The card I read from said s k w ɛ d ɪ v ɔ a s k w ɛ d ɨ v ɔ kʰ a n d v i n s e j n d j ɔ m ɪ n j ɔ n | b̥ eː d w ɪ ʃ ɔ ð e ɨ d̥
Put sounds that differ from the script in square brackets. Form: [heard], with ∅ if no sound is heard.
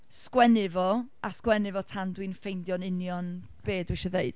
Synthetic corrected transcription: s k w ɛ [n] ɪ v ɔ a s k w ɛ [n] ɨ v ɔ [tʰ] a n d [w] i n [f] e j n d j ɔ [n] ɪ n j ɔ n | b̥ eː d w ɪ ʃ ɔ ð e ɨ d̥